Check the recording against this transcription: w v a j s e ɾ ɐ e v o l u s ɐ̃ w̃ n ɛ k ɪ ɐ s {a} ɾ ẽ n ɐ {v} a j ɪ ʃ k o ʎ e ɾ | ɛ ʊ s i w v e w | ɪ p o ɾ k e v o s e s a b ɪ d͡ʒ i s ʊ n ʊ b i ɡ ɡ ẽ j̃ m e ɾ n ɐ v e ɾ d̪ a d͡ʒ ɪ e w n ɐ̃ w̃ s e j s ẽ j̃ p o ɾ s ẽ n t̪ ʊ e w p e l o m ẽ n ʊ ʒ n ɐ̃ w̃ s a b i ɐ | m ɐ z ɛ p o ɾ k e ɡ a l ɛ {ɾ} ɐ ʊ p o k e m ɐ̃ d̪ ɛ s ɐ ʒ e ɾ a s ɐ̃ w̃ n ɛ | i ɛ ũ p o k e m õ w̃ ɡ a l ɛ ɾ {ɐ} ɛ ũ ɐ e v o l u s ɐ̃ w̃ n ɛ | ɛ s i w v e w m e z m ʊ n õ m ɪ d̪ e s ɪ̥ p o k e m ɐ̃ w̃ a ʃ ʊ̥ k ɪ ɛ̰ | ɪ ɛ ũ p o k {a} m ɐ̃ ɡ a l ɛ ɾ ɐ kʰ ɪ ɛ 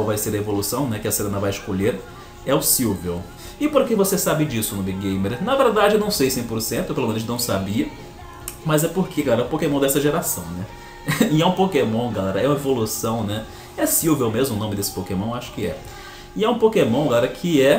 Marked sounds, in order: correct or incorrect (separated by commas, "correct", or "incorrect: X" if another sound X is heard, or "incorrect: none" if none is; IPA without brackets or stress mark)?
incorrect: e, correct, correct, correct, incorrect: e